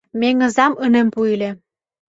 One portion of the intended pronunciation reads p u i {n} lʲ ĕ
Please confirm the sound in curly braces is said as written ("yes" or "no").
no